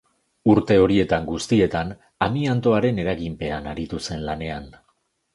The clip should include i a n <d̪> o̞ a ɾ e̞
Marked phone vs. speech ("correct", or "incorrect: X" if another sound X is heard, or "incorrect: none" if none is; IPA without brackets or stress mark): incorrect: t̪